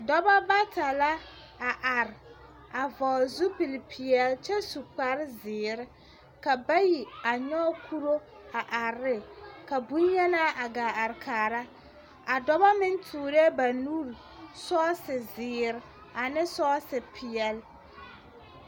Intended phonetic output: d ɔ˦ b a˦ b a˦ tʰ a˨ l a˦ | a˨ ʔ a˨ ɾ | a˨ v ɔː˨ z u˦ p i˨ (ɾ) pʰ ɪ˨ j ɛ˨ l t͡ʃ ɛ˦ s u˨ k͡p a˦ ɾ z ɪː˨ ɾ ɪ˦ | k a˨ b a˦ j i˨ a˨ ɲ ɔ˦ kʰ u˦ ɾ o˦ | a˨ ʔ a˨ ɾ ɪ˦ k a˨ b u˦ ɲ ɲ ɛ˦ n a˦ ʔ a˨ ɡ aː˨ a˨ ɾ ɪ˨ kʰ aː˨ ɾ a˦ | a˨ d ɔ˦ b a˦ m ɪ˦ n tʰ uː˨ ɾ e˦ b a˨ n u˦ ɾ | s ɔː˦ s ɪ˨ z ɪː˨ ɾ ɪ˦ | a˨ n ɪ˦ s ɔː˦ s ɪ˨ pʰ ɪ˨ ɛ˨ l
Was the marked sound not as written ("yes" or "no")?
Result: yes